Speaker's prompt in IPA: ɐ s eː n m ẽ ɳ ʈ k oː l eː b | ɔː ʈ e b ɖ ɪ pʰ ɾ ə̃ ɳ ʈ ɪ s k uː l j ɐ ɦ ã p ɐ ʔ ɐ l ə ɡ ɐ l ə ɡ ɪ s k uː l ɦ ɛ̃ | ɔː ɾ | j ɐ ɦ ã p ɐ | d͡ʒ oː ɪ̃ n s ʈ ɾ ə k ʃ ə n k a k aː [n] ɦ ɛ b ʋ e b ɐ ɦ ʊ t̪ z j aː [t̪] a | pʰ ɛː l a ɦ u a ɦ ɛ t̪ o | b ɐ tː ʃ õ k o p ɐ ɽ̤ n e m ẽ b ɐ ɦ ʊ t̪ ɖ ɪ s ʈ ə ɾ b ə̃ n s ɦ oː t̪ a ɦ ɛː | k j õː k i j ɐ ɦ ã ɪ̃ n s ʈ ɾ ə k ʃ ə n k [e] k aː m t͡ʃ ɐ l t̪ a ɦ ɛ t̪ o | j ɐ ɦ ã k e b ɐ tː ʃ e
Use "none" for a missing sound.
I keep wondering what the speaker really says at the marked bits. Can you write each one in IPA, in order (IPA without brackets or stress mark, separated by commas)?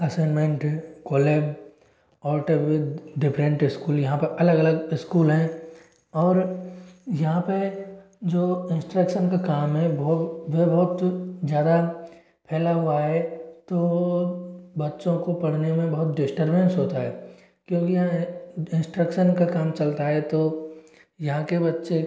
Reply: m, d̪, a